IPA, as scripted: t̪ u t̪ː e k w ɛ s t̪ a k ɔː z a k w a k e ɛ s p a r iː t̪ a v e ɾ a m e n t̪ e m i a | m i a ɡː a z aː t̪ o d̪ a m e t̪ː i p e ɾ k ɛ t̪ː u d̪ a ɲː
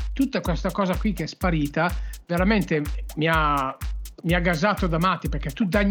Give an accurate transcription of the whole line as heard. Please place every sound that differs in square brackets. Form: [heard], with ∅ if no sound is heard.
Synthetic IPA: t̪ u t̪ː [a] k w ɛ s t̪ a k ɔː z a k w [i] k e ɛ s p a [ɾ] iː t̪ a v e ɾ a m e n t̪ e m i a | m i a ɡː a z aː t̪ o d̪ a m [a] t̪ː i p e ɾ k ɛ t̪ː u d̪ a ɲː